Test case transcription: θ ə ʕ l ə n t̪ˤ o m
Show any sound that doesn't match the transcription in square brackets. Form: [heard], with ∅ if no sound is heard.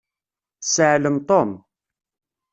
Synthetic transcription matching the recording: [s] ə ʕ l ə [m] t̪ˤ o m